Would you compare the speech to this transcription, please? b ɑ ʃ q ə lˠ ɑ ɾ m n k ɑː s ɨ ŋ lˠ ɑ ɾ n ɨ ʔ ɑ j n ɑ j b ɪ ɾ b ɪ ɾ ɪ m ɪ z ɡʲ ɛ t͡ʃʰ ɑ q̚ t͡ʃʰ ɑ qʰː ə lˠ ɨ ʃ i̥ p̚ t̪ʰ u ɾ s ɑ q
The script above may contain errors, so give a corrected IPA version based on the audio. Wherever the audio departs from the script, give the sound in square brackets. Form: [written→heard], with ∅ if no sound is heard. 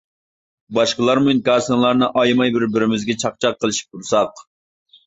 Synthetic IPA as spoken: b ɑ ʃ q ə lˠ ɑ ɾ m n k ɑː s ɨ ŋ lˠ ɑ ɾ n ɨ ʔ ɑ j [n→m] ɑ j b ɪ ɾ b ɪ ɾ ɪ m ɪ z ɡʲ ɛ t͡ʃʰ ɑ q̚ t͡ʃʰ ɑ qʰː ə lˠ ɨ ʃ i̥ p̚ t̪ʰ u ɾ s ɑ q